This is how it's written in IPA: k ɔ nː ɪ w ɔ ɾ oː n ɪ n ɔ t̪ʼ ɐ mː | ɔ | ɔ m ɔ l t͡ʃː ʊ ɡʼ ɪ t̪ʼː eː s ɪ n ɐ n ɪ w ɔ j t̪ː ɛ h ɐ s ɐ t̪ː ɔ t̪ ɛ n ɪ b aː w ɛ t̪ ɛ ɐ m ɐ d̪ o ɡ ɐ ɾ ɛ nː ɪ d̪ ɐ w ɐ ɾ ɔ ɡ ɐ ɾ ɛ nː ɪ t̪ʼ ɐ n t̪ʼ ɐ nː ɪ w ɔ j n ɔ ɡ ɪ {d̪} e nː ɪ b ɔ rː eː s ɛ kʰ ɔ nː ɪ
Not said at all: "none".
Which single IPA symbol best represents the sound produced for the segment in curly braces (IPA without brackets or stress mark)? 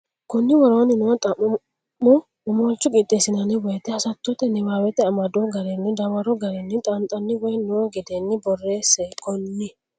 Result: d̪